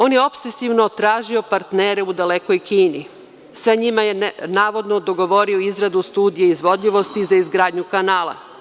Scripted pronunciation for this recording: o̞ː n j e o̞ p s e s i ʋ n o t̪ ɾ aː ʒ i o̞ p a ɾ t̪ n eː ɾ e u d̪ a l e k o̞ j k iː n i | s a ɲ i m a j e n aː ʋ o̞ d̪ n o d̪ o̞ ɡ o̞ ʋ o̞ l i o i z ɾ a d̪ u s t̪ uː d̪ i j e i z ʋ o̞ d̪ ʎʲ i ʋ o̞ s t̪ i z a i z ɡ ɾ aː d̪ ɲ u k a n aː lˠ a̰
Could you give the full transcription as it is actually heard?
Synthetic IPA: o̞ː n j e o̞ p s e s i ʋ n o t̪ ɾ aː ʒ i o̞ p a ɾ t̪ n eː ɾ e u d̪ a l e k o̞ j k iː n i | s a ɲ i m a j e n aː ʋ o̞ d̪ n o d̪ o̞ ɡ o̞ ʋ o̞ ɾ i o i z ɾ a d̪ u s t̪ uː d̪ i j e i z ʋ o̞ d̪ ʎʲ i ʋ o̞ s t̪ i z a i z ɡ ɾ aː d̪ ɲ u k a n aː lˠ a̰